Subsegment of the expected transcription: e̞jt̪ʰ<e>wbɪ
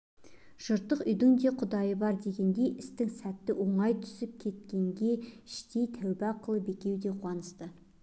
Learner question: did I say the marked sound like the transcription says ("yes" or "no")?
no